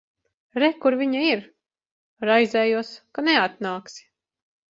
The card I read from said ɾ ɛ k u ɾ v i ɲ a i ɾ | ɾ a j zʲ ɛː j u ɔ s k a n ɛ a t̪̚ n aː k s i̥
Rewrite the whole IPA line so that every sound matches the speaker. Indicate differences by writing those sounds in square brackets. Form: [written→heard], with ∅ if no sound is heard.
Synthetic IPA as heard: ɾ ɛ k u ɾ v i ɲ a i ɾ | ɾ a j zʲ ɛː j u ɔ s k a n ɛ a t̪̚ n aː k s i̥